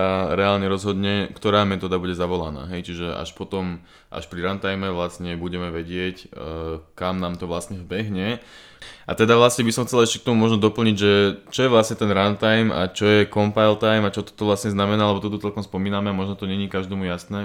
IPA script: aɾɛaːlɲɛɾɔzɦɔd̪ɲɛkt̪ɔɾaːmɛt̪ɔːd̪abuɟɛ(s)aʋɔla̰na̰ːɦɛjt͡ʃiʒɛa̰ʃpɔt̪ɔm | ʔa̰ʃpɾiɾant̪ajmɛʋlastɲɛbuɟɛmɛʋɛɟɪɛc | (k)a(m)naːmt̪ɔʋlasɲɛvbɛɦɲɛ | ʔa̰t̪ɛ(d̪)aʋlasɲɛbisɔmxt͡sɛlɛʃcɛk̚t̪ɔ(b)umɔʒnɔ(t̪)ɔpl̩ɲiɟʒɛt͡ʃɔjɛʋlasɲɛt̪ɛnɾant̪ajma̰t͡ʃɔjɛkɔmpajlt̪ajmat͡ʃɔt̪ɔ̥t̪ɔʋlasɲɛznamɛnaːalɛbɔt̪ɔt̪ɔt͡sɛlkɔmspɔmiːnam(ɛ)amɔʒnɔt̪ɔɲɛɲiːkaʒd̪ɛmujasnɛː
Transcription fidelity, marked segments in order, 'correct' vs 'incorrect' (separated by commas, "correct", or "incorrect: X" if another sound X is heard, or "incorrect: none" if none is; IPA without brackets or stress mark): incorrect: z, correct, correct, correct, incorrect: m, incorrect: d̪, correct